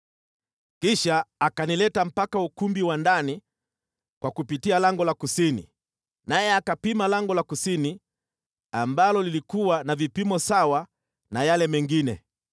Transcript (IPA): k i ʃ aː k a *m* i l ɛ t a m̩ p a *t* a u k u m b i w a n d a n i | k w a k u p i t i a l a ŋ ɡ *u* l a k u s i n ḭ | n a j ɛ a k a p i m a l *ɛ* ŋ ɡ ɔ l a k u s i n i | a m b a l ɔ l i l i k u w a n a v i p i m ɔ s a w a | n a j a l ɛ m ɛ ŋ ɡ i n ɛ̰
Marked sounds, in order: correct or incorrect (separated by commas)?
incorrect, incorrect, incorrect, incorrect